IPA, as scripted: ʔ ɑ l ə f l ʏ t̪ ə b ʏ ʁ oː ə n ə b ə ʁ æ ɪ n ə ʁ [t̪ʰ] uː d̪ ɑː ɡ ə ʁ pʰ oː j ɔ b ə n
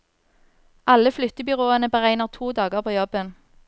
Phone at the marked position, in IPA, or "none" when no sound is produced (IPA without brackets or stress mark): t̪ʰ